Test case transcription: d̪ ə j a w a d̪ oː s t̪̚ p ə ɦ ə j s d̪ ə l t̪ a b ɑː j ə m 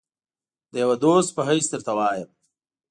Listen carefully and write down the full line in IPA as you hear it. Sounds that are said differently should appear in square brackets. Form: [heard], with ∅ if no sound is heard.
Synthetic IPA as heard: d̪ ə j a w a d̪ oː s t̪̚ p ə ɦ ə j s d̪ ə [ɾ] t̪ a [w] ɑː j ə m